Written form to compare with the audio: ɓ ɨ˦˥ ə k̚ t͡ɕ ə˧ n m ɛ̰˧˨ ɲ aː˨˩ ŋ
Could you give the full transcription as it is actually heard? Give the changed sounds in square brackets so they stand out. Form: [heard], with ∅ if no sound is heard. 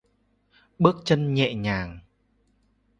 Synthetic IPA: ɓ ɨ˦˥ ə k̚ t͡ɕ ə˧ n [ɲ] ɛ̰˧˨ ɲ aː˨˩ ŋ